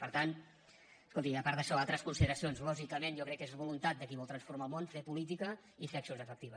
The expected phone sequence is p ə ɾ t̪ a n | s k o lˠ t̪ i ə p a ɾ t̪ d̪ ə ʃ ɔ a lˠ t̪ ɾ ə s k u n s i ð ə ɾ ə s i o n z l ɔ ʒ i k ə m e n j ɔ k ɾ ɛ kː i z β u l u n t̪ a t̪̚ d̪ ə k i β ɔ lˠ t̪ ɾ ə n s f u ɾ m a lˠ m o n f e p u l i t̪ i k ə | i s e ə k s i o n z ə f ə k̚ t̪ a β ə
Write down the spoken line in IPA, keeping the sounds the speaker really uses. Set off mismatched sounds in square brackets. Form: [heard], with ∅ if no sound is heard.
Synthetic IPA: p ə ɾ t̪ a n | s k o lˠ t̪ i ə p a ɾ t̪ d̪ ə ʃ ɔ a lˠ t̪ ɾ ə s k u n s i ð ə ɾ ə s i o n z l ɔ ʒ i k ə m e n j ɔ k ɾ ɛ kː [e] z β u l u n t̪ a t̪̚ d̪ ə k i β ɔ lˠ t̪ ɾ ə n s f u ɾ m a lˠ m o n f e p u l i t̪ i k ə | i [f] e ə k s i o n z ə f ə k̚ t̪ [i] β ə